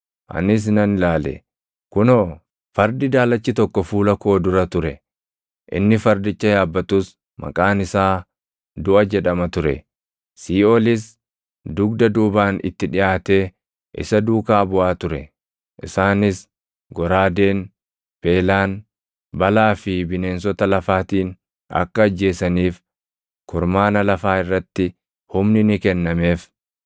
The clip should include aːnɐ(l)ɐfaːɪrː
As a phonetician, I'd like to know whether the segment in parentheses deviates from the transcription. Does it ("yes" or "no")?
no